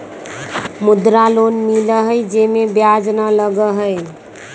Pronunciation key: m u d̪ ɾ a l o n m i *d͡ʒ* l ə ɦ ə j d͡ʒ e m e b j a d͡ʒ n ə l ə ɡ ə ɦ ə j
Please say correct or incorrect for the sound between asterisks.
incorrect